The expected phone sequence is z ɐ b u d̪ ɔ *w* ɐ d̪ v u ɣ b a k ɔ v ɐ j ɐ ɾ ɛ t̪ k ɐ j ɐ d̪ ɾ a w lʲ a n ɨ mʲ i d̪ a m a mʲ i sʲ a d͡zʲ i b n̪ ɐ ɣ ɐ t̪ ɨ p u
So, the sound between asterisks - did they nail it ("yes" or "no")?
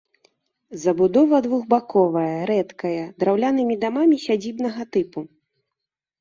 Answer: no